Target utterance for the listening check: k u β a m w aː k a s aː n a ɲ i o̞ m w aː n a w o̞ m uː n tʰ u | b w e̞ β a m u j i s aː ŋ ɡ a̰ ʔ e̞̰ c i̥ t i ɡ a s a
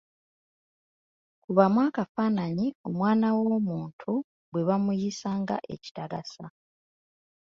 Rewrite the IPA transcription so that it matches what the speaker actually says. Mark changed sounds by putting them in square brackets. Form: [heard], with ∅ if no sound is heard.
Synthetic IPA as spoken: k u β a m w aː k a [f] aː n a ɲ i o̞ m w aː n a w o̞ m uː n tʰ u | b w e̞ β a m u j i s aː ŋ ɡ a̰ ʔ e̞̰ c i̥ t [a] ɡ a s a

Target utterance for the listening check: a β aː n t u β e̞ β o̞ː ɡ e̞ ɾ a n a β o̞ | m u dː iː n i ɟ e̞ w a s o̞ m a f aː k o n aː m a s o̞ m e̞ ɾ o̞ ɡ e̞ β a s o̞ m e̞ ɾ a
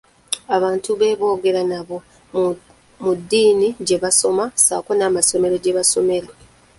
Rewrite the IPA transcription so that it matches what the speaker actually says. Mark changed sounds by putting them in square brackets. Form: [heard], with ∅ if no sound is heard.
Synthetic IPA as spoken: a β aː n t u β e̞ β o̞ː ɡ e̞ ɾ a n a β o̞ | m u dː iː n i ɟ e̞ [β] a s o̞ m a [s] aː k o n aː m a s o̞ m e̞ ɾ o̞ [ɟ] e̞ β a s o̞ m e̞ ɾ a

